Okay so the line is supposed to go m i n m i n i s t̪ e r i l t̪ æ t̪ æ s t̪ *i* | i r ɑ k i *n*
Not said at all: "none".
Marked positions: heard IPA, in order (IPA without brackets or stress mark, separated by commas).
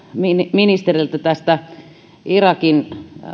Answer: æ, n